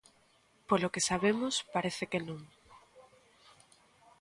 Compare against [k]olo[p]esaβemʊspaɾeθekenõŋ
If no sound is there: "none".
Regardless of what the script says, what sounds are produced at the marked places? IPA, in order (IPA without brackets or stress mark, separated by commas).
p, k